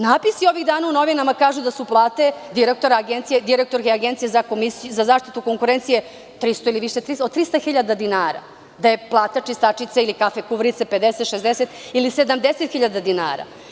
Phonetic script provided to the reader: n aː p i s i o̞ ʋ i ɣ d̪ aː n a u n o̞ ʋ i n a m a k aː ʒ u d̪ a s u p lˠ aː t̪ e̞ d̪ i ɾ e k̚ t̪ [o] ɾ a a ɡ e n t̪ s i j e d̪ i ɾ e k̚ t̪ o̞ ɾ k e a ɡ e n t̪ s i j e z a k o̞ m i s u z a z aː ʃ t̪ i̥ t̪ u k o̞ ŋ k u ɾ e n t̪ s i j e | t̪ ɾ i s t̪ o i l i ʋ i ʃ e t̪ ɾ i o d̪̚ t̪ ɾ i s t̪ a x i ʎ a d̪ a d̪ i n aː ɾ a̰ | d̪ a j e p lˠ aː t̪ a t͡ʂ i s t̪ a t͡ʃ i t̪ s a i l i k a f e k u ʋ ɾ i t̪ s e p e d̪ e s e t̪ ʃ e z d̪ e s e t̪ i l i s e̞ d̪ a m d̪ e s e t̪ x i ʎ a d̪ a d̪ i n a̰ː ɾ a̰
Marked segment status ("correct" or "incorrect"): correct